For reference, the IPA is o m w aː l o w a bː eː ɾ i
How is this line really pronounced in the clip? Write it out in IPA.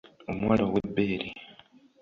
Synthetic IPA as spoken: o m w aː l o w e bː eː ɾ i